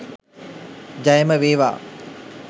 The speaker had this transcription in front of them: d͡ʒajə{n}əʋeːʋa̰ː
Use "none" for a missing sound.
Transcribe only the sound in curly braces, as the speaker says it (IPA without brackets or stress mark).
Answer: m